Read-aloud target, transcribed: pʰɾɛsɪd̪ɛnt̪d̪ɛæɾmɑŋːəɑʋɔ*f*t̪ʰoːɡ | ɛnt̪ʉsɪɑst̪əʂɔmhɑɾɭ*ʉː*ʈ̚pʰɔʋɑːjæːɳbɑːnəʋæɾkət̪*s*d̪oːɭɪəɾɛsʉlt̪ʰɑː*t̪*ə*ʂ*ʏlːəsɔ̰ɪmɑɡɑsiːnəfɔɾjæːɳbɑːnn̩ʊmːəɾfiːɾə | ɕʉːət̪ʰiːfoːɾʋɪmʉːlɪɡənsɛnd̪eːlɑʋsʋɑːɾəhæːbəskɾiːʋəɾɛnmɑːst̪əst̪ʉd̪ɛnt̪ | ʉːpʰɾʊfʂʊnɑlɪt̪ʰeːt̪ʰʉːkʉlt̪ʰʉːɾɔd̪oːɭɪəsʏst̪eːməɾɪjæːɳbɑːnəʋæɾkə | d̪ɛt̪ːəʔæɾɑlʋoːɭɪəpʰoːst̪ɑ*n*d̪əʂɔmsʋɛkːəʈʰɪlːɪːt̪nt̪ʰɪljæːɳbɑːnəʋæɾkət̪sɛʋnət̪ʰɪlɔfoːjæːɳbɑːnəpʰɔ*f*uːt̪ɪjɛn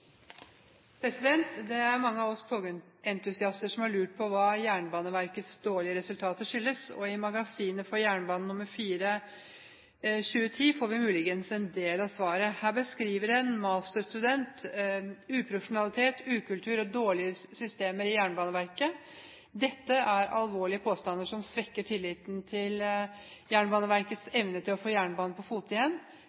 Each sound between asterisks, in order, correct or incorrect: incorrect: s, correct, correct, correct, correct, correct, correct

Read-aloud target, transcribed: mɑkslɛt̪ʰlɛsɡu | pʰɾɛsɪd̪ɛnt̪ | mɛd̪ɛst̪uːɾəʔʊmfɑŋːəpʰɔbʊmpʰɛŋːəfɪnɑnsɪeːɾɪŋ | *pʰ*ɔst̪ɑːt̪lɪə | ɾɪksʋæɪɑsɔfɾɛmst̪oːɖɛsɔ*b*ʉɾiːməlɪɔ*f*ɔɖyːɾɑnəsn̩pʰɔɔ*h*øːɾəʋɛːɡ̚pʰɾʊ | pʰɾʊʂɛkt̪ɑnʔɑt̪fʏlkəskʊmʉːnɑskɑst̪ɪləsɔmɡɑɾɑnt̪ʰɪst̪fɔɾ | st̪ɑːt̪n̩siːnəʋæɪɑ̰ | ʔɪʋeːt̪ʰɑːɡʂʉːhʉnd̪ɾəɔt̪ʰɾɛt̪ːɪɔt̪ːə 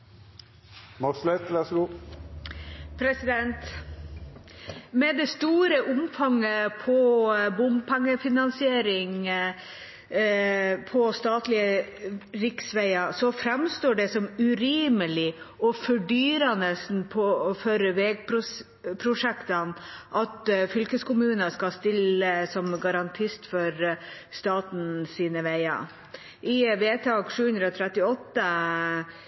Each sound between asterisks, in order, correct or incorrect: correct, incorrect: m, correct, incorrect: f

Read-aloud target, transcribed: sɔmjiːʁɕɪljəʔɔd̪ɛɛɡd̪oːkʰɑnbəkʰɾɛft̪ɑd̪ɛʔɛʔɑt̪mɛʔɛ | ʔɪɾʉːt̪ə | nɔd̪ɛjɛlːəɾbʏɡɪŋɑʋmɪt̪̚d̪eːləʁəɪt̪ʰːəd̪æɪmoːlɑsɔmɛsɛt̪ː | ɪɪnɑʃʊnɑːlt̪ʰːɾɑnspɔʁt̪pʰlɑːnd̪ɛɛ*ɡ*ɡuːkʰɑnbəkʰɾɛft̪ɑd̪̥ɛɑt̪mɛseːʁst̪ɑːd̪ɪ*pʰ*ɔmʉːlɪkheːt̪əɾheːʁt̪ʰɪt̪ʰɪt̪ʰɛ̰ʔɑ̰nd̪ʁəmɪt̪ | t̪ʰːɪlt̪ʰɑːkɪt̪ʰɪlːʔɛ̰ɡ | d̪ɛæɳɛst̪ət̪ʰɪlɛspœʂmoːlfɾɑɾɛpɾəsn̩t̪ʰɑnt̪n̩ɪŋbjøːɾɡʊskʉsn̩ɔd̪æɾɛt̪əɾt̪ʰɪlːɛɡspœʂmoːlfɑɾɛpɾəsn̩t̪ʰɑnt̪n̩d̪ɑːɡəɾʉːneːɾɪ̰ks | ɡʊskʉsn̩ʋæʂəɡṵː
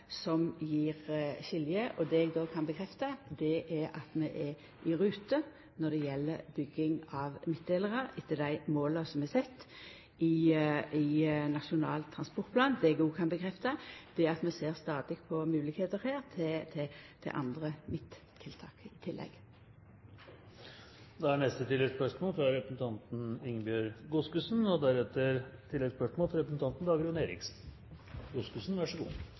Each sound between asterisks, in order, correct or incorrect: correct, correct

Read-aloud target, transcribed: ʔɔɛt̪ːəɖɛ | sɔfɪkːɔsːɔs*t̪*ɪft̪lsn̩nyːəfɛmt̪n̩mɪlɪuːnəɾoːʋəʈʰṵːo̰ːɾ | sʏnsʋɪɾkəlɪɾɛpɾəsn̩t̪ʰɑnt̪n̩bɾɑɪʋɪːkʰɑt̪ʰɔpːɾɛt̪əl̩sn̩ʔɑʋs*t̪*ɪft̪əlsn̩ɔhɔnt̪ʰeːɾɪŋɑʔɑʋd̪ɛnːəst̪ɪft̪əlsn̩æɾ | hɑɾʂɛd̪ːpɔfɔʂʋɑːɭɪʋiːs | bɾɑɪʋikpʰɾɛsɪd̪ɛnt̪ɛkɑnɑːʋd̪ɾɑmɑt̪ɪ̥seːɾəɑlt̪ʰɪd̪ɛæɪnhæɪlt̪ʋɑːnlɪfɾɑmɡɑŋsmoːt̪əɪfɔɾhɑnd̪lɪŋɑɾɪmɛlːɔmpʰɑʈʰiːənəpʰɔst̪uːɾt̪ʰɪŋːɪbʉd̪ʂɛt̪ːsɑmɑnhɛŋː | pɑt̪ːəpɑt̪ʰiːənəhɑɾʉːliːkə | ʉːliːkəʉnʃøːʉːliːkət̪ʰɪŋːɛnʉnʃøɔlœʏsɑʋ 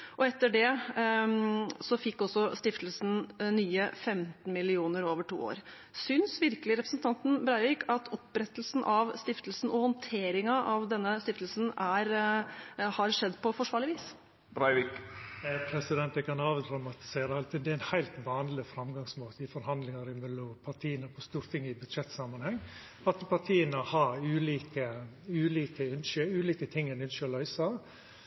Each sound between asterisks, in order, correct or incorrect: correct, correct

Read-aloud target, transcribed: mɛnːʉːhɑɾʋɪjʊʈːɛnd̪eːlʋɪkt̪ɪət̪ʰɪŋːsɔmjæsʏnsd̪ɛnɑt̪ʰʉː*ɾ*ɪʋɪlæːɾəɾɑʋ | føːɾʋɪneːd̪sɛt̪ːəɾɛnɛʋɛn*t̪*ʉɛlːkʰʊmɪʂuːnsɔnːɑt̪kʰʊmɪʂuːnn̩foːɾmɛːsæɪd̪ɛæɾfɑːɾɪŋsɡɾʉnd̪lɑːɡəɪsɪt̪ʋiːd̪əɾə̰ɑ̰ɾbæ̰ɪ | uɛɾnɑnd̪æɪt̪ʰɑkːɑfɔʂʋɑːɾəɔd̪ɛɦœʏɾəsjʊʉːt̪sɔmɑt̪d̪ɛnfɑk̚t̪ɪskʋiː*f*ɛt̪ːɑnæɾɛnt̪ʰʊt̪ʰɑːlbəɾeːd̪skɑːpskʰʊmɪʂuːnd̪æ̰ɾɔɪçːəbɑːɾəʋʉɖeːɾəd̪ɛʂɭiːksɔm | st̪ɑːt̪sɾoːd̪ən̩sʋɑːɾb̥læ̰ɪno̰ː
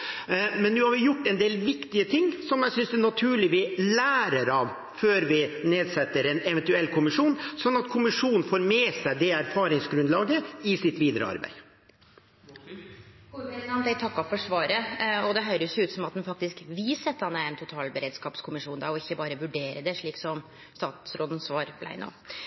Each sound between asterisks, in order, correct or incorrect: incorrect: ɭ, correct, incorrect: s

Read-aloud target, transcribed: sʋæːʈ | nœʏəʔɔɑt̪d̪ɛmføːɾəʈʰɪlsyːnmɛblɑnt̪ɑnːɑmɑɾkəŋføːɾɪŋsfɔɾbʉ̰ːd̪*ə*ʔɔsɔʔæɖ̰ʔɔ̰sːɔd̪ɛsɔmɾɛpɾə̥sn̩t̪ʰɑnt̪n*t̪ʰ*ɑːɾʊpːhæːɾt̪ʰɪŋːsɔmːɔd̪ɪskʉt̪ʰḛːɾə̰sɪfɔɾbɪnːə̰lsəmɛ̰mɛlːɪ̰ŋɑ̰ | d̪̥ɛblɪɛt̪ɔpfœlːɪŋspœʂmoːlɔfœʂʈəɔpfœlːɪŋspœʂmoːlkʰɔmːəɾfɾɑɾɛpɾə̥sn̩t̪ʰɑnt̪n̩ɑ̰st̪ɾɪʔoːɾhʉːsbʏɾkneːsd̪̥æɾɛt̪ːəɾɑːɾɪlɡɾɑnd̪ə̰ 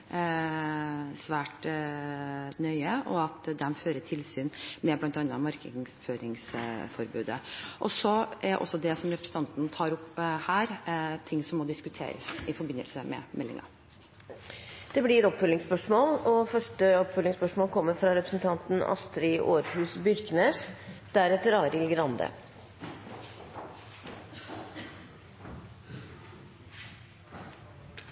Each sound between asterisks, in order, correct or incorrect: correct, correct

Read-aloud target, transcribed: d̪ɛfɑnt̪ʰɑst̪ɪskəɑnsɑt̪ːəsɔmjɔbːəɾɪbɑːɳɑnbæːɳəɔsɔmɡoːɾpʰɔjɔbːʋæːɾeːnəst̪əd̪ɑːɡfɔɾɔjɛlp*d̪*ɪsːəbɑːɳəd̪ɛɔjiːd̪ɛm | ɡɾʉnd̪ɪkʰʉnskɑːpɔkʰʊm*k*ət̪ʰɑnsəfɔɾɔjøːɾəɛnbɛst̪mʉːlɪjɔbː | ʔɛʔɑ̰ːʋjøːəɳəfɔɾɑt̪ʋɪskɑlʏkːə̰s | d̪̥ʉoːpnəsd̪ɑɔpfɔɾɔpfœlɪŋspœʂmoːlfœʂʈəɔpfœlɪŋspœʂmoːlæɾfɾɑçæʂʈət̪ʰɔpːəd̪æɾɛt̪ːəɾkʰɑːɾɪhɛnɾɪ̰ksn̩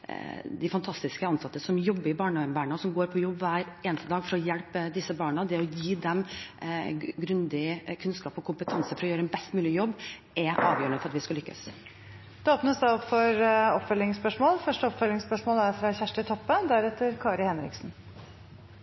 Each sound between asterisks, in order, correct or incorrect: correct, incorrect: p

